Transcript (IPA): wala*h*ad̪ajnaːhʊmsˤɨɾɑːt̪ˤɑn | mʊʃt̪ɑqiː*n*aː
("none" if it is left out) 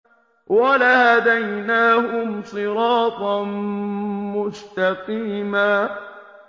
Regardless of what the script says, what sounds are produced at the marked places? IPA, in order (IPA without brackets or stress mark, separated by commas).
h, m